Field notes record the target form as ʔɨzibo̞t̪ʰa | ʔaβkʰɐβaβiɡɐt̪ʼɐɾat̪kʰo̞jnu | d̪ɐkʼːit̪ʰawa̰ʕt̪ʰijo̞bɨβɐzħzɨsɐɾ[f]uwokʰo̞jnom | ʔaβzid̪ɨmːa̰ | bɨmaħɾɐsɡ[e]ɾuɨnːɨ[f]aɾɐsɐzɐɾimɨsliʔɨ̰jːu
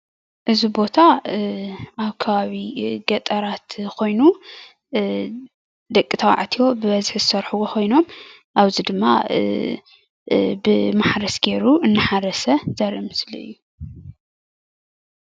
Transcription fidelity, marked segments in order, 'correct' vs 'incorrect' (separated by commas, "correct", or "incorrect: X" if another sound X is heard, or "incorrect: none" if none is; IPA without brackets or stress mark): incorrect: ħ, correct, incorrect: ħ